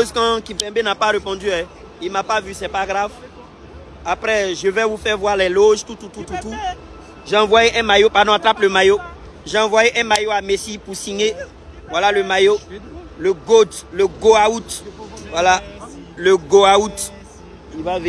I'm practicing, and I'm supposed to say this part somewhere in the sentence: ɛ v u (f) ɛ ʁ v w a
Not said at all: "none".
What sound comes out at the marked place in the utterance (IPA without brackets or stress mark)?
f